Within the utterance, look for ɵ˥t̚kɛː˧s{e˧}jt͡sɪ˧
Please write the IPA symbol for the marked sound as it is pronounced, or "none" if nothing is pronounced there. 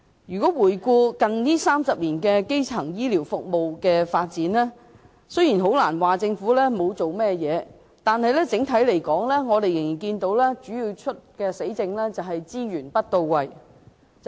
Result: e˨˥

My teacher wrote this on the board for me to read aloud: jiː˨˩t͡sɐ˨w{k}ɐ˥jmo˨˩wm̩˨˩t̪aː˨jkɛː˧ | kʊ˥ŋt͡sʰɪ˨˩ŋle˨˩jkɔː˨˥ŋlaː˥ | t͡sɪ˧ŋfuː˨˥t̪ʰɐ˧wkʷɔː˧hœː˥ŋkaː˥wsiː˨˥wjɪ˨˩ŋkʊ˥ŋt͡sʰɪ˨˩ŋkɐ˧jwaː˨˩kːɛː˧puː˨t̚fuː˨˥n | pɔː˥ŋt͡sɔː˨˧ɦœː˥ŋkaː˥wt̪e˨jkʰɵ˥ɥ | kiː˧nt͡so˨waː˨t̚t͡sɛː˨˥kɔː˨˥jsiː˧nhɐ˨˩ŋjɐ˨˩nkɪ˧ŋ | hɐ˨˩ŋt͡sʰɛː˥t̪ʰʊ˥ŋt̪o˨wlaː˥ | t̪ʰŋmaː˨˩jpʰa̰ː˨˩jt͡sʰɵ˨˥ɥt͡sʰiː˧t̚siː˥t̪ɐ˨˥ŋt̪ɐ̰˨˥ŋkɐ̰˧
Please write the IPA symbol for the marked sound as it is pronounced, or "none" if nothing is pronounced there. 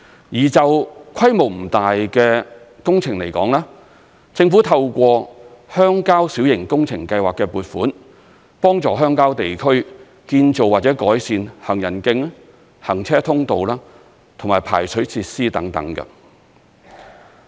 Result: kʰ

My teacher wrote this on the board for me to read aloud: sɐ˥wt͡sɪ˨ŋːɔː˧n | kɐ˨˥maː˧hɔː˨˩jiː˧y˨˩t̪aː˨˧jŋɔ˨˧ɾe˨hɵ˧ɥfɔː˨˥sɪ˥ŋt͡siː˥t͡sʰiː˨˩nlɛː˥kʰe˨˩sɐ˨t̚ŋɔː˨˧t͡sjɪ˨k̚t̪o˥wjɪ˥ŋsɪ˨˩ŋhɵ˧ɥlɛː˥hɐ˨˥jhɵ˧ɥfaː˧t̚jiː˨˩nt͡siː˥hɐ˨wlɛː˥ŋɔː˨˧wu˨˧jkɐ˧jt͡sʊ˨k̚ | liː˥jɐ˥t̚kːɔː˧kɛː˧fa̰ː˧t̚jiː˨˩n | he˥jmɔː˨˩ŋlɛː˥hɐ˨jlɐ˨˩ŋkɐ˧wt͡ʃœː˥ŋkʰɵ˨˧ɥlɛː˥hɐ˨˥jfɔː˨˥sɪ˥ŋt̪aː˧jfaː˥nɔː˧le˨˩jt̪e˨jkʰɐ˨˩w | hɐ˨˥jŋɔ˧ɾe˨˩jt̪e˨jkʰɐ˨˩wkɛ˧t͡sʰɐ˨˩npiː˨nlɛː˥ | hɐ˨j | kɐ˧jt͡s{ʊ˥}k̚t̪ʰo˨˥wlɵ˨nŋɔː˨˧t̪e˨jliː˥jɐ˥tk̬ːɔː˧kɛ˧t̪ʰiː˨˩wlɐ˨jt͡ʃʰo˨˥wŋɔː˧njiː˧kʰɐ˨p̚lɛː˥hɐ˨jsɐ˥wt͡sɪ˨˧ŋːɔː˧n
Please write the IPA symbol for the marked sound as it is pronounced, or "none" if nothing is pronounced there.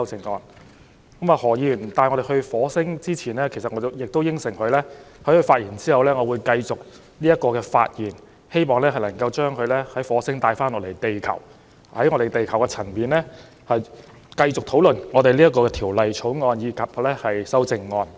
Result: ʊ˨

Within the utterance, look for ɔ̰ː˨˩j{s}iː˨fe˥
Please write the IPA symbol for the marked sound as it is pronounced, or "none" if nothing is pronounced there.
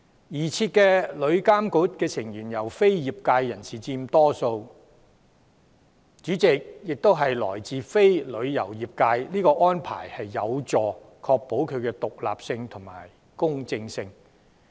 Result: t͡s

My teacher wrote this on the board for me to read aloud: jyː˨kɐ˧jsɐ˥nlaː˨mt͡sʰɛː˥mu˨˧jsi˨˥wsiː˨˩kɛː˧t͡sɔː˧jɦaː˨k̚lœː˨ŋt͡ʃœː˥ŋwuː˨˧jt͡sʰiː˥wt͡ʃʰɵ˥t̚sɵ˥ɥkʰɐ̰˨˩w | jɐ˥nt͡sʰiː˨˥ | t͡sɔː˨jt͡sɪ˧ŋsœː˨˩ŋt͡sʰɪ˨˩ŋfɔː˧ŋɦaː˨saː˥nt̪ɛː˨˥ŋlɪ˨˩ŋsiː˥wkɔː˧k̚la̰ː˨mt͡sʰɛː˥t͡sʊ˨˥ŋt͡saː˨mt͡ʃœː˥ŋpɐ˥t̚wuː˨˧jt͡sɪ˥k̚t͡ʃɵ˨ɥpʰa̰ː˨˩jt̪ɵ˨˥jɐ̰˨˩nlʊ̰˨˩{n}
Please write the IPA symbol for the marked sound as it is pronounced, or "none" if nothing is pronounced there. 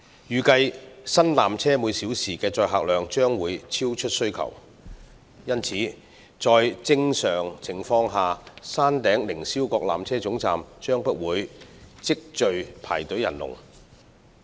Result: ŋ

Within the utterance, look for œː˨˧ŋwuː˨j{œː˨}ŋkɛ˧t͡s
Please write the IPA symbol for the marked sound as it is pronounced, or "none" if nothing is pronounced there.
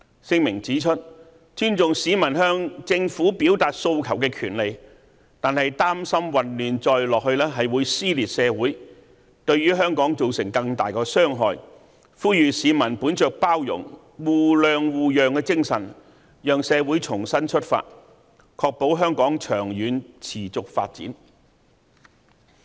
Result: œː˨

